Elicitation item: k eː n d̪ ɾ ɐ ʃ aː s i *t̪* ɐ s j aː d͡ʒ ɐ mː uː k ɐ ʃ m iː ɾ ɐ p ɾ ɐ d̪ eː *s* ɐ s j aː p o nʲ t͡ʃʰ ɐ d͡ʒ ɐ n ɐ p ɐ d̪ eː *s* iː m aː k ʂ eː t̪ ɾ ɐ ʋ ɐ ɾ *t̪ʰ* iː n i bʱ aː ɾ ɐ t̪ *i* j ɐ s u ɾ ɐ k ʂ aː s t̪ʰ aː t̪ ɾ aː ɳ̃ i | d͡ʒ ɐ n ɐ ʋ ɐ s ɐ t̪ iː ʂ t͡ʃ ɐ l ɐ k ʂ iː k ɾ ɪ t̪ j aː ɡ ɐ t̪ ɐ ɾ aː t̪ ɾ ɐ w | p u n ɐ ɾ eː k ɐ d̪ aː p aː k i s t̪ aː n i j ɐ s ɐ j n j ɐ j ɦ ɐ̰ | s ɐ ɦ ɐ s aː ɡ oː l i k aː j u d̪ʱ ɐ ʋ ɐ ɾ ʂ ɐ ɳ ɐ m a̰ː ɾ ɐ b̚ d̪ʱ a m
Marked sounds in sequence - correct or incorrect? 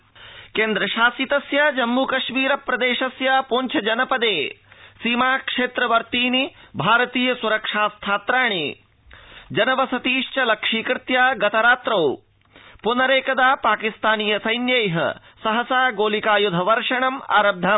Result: correct, incorrect, correct, incorrect, incorrect

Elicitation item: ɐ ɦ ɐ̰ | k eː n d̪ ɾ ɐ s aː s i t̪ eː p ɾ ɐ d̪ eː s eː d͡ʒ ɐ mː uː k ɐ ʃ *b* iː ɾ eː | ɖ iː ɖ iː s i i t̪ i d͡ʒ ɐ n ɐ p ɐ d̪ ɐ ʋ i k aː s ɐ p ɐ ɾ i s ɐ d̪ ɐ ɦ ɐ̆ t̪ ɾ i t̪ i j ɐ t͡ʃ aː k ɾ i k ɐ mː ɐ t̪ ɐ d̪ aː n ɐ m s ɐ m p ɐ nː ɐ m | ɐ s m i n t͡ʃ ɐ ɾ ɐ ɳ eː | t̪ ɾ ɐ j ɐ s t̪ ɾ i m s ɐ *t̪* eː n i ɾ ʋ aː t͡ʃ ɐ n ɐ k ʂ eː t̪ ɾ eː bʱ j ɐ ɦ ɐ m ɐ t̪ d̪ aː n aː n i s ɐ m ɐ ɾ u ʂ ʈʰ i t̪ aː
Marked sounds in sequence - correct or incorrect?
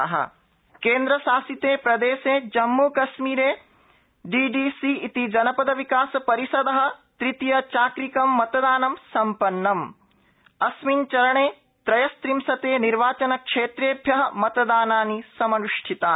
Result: incorrect, correct

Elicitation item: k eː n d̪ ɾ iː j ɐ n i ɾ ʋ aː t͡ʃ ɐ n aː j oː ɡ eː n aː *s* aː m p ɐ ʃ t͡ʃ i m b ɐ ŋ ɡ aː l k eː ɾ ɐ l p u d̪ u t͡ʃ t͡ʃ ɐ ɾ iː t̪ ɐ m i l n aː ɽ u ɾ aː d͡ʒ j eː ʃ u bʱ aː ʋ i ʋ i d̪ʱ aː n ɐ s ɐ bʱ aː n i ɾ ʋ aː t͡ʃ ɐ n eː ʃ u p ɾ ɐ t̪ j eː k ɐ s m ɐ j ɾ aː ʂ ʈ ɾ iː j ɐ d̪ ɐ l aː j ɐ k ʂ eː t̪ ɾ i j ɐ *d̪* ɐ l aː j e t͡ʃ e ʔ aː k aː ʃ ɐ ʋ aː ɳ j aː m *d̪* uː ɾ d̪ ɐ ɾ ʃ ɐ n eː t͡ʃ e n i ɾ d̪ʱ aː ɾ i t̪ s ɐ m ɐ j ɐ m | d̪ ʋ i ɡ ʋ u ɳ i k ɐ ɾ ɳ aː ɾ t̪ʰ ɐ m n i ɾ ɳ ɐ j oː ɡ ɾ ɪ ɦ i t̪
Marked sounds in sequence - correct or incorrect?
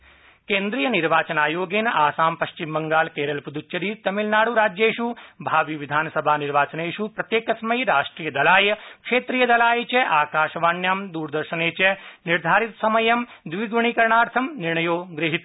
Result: correct, correct, correct

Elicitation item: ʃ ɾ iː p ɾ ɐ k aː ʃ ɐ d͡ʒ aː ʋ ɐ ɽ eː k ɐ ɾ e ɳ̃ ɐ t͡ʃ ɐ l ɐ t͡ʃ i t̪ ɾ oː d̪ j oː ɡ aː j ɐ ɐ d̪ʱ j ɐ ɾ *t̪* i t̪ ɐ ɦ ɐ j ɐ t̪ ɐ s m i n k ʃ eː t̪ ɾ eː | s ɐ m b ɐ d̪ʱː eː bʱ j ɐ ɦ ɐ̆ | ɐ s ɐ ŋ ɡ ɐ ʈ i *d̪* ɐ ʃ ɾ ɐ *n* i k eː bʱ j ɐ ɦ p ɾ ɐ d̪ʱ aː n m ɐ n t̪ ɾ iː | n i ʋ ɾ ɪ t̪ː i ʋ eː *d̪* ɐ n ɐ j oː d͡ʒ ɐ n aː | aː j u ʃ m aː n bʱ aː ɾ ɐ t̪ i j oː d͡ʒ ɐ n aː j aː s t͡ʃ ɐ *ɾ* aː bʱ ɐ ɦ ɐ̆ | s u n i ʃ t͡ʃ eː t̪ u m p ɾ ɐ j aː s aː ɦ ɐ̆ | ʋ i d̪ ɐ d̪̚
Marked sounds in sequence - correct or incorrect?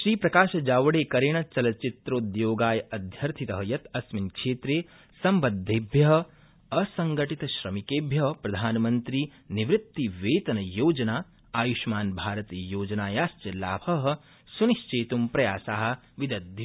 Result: incorrect, incorrect, incorrect, incorrect, incorrect

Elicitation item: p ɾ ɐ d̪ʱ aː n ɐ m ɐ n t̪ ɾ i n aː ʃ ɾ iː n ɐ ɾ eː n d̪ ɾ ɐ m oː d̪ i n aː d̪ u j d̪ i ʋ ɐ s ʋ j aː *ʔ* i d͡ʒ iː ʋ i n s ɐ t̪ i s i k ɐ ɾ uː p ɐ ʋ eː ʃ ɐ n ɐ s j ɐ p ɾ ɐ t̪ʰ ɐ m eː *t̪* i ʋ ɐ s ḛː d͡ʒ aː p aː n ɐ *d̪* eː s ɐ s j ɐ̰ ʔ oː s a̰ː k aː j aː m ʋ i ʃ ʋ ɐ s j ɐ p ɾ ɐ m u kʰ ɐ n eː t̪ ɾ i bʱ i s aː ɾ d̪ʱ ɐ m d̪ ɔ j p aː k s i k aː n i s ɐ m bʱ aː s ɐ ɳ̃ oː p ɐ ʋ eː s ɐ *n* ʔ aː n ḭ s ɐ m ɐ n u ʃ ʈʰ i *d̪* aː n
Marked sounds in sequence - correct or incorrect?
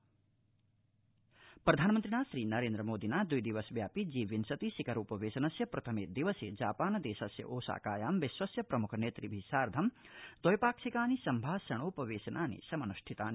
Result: incorrect, incorrect, correct, correct, incorrect

